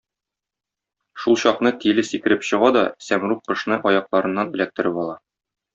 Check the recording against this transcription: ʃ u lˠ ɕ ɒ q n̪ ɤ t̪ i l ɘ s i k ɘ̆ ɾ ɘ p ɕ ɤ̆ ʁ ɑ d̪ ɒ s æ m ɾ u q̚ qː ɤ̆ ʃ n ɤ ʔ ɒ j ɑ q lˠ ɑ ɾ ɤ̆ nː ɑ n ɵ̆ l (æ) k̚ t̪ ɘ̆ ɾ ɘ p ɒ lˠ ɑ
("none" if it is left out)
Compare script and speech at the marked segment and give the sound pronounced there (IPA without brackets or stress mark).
æ